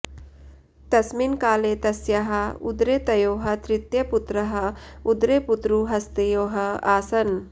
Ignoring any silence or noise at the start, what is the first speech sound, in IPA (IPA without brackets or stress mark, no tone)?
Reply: t̪